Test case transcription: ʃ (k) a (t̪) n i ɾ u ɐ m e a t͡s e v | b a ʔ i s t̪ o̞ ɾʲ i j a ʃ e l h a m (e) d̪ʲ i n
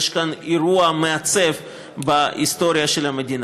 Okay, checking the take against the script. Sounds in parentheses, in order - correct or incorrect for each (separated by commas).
correct, incorrect, correct